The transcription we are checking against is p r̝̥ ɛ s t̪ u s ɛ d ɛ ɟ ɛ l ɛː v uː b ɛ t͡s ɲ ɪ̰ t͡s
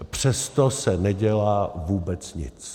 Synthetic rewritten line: p r̝̥ ɛ s t̪ o s ɛ n ɛ ɟ ɛ l aː v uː b ɛ t͡s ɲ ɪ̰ t͡s